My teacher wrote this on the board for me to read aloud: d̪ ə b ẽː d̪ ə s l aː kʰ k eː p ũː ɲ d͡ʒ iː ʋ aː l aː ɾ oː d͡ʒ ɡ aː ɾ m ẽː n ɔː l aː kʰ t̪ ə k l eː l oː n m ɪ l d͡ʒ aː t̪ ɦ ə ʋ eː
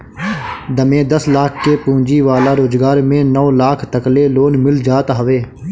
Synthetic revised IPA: d̪ ə m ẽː d̪ ə s l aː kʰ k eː p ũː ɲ d͡ʒ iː ʋ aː l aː ɾ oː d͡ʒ ɡ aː ɾ m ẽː n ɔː l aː kʰ t̪ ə k l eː l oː n m ɪ l d͡ʒ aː t̪ ɦ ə ʋ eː